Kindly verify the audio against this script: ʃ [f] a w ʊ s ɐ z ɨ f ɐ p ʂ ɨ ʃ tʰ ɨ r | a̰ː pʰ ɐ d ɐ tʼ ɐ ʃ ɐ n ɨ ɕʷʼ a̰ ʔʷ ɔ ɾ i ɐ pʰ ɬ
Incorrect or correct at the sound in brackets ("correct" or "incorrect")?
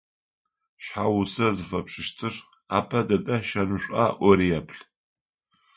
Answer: incorrect